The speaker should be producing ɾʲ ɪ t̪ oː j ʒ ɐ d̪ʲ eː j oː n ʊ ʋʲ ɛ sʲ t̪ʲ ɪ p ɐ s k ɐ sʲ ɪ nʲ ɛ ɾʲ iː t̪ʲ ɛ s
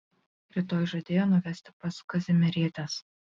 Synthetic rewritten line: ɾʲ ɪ t̪ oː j ʒ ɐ d̪ʲ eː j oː n ʊ ʋʲ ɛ sʲ t̪ʲ ɪ p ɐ s k ɐ zʲ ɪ mʲ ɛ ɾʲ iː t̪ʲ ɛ s